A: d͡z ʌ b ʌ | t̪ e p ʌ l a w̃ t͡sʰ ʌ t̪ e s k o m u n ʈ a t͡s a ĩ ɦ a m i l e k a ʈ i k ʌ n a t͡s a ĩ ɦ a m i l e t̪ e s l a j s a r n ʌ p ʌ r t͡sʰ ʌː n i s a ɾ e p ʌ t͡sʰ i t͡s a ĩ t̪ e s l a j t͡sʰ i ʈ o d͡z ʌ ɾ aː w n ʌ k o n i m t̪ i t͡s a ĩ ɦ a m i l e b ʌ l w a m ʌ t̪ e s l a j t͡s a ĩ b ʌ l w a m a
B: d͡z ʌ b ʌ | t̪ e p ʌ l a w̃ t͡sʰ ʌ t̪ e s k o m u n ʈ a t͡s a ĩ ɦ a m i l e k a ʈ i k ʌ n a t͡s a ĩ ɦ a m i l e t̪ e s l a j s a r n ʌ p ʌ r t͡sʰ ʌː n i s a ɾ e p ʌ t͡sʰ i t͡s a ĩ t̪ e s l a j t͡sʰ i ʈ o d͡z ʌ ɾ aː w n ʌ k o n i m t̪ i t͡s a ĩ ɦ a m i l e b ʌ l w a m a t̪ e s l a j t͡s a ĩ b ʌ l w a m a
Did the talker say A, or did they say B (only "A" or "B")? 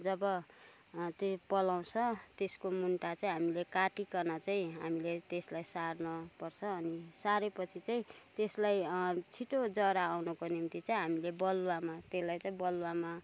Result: B